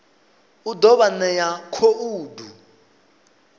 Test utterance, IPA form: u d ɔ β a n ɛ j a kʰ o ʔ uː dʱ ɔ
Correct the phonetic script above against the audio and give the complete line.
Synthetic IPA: u d ɔ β a n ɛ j a kʰ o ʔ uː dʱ u